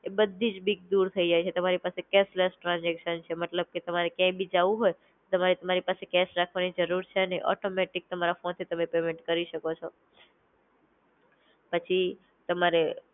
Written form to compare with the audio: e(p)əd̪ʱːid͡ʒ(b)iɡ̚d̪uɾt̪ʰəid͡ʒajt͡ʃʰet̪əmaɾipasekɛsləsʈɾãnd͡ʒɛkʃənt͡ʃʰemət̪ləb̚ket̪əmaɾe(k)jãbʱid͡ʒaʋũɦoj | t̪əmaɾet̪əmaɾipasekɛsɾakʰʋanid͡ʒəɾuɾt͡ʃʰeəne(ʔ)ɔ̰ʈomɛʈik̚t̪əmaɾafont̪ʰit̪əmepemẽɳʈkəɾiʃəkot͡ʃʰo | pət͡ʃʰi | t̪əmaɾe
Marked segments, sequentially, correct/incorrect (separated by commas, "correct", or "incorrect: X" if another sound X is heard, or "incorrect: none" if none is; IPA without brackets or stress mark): incorrect: b, correct, correct, correct